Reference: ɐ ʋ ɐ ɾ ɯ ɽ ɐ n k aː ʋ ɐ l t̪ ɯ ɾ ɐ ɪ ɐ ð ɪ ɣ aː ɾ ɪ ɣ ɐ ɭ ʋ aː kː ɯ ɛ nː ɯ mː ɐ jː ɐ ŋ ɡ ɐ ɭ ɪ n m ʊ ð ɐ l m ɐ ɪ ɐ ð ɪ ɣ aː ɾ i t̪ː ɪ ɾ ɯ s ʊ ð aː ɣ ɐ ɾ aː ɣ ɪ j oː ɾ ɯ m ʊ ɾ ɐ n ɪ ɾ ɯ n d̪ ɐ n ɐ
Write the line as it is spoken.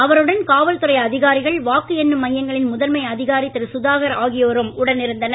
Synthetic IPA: ɐ ʋ ɐ ɾ ɯ ɽ ɐ n k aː ʋ ɐ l t̪ ɯ ɾ ɐ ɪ ɐ ð ɪ ɣ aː ɾ ɪ ɣ ɐ ɭ ʋ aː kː ɯ ɛ nː ɯ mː ɐ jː ɐ ŋ ɡ ɐ ɭ ɪ n m ʊ ð ɐ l m ɐ ɪ ɐ ð ɪ ɣ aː ɾ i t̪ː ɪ ɾ ɯ s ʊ ð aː ɣ ɐ ɾ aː ɣ ɪ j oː ɾ ɯ m ʊ ɽ ɐ n ɪ ɾ ɯ n d̪ ɐ n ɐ

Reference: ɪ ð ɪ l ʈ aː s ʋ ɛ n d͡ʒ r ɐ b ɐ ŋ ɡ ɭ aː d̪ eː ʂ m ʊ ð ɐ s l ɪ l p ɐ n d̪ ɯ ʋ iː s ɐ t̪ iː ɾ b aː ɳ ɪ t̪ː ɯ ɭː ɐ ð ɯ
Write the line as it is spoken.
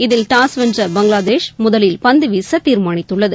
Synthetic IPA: ɪ ð ɪ l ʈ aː s ʋ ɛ n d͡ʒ r ɐ b ɐ ŋ ɡ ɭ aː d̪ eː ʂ m ʊ ð ɐ l ɪ l p ɐ n d̪ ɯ ʋ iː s ɐ t̪ iː ɾ m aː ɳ ɪ t̪ː ɯ ɭː ɐ ð ɯ

